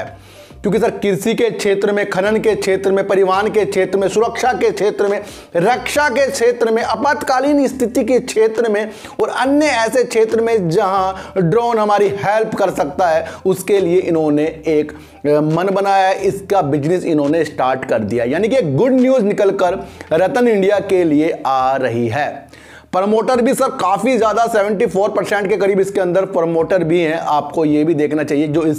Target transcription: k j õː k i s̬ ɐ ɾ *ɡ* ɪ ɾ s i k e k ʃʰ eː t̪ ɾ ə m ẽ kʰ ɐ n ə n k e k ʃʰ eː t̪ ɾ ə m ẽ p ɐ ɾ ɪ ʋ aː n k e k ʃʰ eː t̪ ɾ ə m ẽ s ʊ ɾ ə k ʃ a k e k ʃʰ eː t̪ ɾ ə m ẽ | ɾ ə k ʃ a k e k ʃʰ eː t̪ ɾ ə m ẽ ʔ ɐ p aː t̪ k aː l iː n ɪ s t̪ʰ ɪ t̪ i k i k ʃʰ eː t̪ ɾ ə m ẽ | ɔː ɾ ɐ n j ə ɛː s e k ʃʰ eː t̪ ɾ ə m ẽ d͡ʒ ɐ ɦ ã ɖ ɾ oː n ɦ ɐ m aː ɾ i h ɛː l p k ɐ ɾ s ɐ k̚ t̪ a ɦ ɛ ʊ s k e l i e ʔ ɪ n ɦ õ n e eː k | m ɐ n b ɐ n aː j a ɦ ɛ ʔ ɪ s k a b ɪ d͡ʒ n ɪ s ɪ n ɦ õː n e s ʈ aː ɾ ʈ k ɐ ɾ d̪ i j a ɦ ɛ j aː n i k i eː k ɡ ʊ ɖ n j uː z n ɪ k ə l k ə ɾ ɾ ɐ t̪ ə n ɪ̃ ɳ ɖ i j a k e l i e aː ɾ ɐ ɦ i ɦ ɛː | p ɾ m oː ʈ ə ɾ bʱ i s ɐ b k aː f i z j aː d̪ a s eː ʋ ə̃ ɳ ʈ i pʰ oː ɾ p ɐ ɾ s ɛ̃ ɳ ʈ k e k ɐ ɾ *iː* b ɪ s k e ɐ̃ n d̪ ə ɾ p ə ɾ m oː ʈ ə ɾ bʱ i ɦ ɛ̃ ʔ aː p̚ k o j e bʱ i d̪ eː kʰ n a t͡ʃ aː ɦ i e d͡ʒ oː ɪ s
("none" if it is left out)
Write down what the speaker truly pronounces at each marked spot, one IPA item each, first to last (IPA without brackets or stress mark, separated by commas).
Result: k, iː